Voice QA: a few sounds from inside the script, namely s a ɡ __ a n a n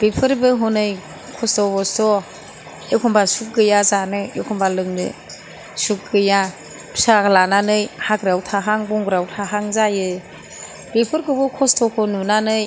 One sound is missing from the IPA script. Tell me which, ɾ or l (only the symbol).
l